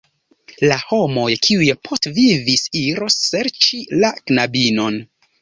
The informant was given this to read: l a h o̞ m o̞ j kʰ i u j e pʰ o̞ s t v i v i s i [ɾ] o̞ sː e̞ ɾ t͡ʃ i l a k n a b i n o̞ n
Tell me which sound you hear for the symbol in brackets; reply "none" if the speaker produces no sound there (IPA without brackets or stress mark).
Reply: ɾ